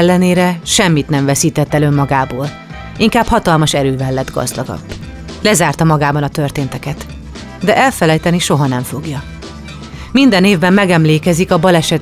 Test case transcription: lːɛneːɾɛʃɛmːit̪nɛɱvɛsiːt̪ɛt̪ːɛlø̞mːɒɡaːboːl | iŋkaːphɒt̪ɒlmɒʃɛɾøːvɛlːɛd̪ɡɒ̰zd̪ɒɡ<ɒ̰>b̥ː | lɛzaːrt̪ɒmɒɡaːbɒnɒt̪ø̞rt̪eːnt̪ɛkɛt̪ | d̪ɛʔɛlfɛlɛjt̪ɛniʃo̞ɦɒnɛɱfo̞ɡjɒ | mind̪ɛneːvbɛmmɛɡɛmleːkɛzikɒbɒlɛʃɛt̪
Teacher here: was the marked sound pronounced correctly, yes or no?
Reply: yes